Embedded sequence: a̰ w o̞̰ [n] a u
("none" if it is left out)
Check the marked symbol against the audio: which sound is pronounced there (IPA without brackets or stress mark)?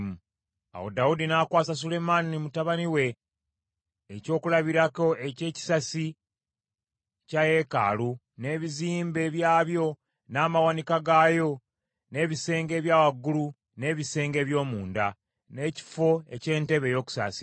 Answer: d